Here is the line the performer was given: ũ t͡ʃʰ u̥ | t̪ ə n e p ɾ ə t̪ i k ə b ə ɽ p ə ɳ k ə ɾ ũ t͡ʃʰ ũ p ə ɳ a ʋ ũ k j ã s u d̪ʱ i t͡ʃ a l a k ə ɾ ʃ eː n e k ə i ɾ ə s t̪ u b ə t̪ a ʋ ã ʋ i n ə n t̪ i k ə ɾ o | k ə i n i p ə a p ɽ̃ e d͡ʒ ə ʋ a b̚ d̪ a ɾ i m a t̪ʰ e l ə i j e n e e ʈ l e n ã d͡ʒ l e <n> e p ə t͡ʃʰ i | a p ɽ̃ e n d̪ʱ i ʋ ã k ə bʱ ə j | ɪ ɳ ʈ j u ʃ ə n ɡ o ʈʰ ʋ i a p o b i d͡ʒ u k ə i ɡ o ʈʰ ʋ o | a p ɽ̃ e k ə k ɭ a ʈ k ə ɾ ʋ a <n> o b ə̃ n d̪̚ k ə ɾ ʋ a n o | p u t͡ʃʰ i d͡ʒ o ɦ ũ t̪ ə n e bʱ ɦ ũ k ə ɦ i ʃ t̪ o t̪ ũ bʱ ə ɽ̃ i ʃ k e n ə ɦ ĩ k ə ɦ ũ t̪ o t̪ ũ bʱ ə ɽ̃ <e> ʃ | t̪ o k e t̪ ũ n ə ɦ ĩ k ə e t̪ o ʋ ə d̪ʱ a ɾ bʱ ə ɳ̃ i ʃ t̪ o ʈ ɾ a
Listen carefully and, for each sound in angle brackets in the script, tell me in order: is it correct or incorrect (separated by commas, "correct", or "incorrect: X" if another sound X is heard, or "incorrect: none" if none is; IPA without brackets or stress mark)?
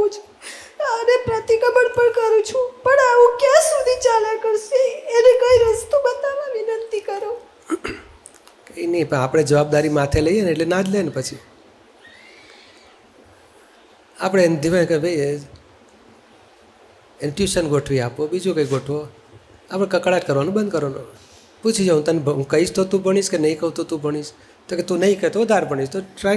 correct, correct, incorrect: i